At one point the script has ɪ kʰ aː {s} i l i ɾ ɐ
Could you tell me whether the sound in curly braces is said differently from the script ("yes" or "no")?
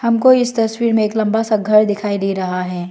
yes